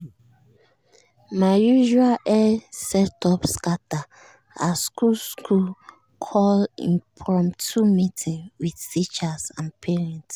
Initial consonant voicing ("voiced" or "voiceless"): voiced